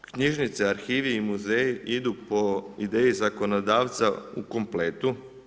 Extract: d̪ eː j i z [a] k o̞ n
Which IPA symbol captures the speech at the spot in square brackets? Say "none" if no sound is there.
a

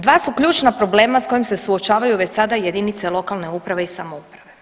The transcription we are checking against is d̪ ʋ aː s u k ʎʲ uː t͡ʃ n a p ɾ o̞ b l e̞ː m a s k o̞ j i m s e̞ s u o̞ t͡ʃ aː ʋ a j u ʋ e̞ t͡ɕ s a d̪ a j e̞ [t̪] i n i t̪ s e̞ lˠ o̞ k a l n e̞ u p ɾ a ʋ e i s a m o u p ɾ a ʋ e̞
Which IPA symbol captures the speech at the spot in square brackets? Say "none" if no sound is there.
d̪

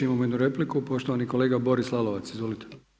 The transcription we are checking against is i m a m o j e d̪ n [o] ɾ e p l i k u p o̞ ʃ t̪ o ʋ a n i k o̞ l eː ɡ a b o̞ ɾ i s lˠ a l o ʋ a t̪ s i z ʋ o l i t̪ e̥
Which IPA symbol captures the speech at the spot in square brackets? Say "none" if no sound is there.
u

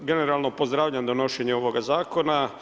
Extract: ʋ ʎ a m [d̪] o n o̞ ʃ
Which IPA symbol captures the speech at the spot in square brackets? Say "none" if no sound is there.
d̪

